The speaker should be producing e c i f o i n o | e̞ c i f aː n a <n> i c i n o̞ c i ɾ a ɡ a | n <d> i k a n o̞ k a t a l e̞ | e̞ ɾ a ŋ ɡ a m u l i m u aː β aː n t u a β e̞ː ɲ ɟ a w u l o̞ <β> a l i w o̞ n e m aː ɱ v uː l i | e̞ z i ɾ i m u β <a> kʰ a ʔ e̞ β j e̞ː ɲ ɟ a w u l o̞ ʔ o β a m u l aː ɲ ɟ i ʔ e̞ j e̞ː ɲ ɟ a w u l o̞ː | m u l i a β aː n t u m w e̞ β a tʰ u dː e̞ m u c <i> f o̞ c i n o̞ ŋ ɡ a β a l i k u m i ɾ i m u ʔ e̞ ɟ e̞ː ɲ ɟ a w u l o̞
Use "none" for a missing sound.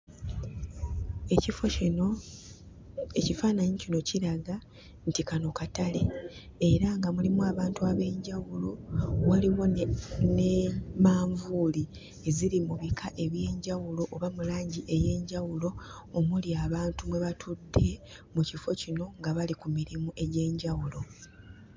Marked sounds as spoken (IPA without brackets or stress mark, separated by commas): ɲ, t, w, i, i